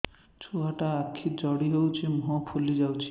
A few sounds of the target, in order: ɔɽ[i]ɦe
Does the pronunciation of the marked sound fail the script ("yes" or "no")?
no